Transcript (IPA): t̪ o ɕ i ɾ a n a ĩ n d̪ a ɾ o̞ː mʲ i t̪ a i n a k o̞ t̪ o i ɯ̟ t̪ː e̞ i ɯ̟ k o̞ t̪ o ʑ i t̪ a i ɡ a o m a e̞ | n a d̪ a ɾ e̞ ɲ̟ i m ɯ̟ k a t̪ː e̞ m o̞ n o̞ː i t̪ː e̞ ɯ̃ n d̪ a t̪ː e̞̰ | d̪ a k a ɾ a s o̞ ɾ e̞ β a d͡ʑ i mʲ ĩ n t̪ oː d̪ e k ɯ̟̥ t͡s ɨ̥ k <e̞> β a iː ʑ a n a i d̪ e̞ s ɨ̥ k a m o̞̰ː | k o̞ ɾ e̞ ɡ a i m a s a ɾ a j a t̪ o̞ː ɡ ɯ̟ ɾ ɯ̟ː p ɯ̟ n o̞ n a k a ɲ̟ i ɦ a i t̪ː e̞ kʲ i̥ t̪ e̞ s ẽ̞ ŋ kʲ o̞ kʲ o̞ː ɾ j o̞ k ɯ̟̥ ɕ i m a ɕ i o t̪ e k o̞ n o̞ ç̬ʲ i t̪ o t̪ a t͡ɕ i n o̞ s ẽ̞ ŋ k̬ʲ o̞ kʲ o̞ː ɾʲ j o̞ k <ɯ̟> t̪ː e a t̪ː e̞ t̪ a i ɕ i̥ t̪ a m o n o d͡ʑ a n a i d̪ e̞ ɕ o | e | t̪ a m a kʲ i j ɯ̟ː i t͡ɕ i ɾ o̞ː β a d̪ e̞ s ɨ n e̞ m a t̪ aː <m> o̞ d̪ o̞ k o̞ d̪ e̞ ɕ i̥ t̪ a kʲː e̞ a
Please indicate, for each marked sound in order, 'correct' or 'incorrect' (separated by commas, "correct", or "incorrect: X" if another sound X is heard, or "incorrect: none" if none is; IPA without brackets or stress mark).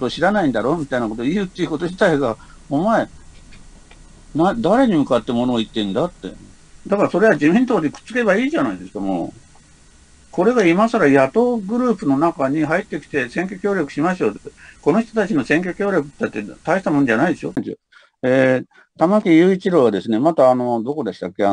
correct, correct, incorrect: n